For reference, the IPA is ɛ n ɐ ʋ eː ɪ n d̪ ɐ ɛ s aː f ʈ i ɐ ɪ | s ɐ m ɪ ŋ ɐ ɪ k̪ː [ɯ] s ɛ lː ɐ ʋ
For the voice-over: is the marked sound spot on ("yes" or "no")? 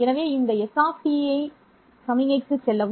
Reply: yes